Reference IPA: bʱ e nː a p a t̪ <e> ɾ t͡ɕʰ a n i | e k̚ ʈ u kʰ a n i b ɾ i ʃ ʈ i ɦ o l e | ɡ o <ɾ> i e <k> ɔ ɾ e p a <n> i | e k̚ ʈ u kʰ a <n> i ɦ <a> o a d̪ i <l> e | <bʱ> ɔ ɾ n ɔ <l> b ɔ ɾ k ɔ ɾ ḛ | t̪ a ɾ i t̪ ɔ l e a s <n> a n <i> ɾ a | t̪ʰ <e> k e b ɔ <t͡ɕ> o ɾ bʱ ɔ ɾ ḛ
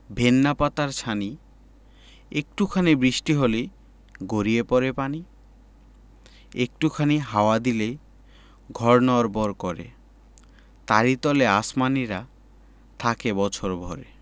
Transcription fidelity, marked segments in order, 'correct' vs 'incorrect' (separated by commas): incorrect, correct, incorrect, correct, correct, correct, correct, incorrect, incorrect, incorrect, correct, incorrect, incorrect